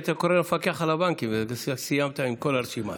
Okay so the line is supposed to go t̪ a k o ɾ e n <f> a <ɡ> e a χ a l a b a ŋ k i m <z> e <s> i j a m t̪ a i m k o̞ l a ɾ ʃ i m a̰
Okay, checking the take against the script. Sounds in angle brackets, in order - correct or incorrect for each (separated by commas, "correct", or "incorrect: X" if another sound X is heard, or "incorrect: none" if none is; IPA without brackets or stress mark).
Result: correct, incorrect: k, incorrect: v, correct